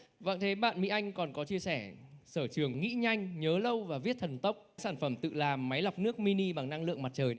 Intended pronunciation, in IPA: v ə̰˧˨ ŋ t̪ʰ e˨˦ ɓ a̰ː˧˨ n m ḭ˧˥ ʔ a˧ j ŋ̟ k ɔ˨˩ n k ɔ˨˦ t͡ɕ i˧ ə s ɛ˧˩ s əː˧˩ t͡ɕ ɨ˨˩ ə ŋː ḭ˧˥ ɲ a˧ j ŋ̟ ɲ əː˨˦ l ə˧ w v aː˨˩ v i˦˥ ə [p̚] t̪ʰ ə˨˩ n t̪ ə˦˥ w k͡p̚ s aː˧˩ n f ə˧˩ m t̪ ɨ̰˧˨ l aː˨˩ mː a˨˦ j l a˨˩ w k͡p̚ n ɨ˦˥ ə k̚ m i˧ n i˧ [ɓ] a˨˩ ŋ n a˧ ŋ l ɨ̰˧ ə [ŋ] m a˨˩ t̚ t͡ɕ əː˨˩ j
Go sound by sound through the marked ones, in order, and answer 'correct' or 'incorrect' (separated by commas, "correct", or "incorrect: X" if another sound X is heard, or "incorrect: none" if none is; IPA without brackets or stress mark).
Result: incorrect: t̚, correct, correct